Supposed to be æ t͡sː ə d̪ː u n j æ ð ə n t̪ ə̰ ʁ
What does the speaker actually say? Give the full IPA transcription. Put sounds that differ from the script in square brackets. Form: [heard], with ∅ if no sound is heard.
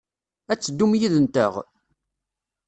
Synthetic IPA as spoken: æ t͡sː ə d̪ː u [m] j [i] ð ə n t̪ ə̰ ʁ